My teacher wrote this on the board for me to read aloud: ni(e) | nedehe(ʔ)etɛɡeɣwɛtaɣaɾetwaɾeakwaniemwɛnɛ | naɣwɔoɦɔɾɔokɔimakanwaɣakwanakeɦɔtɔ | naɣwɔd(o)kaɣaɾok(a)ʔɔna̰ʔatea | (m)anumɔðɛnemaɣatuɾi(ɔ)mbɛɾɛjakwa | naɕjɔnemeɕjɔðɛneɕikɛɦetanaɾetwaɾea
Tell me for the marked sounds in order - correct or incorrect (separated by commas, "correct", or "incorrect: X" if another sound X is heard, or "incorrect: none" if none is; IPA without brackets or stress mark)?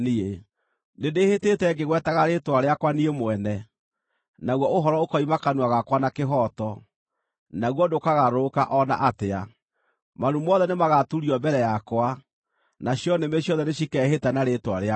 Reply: correct, incorrect: t, correct, correct, correct, correct